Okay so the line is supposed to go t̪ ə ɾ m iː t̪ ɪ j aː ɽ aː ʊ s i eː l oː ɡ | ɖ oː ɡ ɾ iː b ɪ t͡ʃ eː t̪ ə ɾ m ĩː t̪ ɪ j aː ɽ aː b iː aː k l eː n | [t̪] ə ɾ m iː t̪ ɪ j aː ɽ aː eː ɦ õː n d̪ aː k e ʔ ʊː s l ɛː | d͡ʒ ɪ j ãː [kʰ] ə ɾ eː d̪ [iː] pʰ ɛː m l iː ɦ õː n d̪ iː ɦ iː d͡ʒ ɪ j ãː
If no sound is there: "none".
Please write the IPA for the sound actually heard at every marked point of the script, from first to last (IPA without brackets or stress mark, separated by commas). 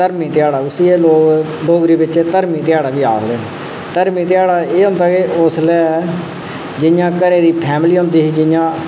t̪, k, iː